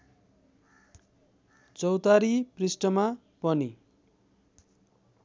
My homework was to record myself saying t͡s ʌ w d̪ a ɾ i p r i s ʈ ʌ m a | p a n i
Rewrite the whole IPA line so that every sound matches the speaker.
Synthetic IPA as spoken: t͡s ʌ w t̪ a ɾ i p r i s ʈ ʌ m a | p ʌ n i